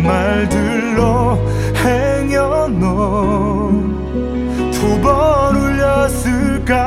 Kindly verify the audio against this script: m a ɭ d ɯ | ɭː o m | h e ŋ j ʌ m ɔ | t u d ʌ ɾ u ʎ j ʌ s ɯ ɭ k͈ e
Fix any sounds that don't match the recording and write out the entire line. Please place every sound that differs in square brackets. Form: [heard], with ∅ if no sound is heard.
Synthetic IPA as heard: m a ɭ d ɯ | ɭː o [∅] | h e ŋ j ʌ [n] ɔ | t u [b] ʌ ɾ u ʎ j ʌ s ɯ ɭ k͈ [a]